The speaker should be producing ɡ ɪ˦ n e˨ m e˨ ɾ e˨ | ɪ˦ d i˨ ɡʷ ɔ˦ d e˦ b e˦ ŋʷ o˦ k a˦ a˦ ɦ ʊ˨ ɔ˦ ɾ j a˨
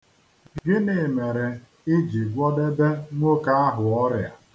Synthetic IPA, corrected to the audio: ɡ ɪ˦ n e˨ m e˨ ɾ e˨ | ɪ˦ d͡ʒ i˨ ɡʷ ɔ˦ d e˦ b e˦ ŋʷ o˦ k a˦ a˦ ɦ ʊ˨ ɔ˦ ɾ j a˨